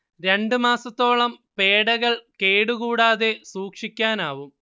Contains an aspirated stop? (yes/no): no